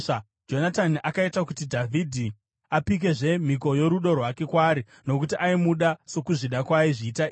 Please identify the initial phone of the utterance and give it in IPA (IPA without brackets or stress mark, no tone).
d͡ʒ